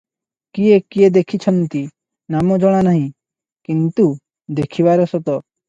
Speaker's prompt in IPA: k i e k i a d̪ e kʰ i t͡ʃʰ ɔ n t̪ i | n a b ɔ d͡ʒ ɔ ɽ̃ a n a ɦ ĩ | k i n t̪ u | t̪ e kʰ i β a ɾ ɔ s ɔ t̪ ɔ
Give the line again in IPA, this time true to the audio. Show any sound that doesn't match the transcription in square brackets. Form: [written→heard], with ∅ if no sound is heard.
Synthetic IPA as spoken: k i e k i [a→e] d̪ e kʰ i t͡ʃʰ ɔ n t̪ i | n a [b→m] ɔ d͡ʒ ɔ ɽ̃ a n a ɦ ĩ | k i n t̪ u | [t̪→d̪] e kʰ i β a ɾ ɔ s ɔ t̪ ɔ